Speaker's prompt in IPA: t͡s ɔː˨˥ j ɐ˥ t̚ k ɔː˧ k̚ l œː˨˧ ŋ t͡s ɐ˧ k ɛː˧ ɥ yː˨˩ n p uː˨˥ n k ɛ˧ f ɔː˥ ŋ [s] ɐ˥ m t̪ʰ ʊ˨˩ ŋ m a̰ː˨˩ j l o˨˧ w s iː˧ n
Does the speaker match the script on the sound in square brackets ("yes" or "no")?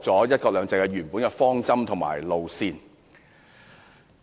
no